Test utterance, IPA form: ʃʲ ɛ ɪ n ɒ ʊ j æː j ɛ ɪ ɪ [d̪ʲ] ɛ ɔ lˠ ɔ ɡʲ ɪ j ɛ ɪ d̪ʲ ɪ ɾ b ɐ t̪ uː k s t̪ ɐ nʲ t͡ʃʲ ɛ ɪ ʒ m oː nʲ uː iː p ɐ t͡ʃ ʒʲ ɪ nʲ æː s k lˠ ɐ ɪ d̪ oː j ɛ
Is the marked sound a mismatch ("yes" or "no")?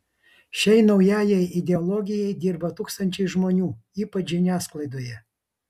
no